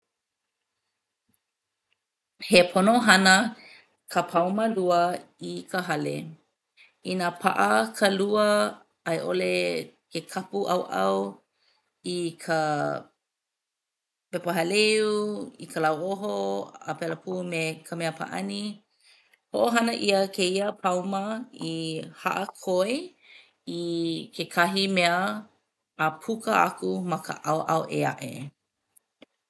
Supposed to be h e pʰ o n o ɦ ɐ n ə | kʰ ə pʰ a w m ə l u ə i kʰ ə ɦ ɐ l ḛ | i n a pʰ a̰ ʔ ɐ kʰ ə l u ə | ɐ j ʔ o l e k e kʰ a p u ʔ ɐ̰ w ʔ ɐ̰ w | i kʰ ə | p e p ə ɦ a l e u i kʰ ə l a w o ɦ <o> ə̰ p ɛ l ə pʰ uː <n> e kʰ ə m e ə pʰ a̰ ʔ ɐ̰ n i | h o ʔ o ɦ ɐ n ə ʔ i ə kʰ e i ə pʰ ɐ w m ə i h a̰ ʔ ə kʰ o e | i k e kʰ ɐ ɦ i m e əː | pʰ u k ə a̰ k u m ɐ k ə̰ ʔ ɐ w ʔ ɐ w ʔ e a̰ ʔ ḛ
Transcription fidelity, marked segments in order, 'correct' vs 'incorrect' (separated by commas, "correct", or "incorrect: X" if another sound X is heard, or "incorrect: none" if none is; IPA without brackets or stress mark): correct, incorrect: m